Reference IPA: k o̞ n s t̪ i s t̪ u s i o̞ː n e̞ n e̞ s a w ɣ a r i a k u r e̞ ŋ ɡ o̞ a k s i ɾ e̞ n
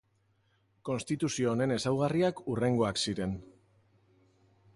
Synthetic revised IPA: k o̞ n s t̪ i t̪ u s i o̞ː n e̞ n e̞ s a w ɣ a r i a k u r e̞ ŋ ɡ o̞ a k s i ɾ e̞ n

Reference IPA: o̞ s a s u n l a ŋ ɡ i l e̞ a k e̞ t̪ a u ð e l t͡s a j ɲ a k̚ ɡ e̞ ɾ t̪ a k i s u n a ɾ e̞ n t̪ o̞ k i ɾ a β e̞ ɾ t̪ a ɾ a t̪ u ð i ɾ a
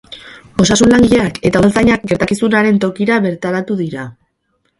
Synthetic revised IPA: o̞ s a s u n l a ŋ ɡ i ʎ e̞ a k e̞ t̪ a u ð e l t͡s a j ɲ a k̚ ɡ e̞ ɾ t̪ a k i s u n a ɾ e̞ n t̪ o̞ k i ɾ a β e̞ ɾ t̪ a ɾ a t̪ u ð i ɾ a

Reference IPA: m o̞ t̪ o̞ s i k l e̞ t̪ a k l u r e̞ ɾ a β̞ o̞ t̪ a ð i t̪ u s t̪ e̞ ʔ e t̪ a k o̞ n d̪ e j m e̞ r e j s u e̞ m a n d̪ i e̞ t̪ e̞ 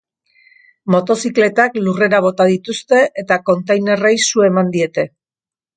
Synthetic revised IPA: m o̞ t̪ o̞ s i k l e̞ t̪ a k l u r e̞ ɾ a β̞ o̞ t̪ a ð i t̪ u s t̪ e̞ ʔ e t̪ a k o̞ n t̪ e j n e̞ r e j s u e̞ m a n d̪ i e̞ t̪ e̞

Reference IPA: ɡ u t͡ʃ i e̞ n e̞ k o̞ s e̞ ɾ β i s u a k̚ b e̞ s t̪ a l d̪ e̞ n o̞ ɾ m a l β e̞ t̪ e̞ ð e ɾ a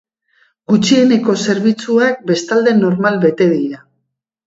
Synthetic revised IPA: ɡ u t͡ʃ i e̞ n e̞ k o̞ s e̞ ɾ β i t͡s u a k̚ b e̞ s t̪ a l d̪ e̞ n o̞ ɾ m a l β e̞ t̪ e̞ ð i ɾ a

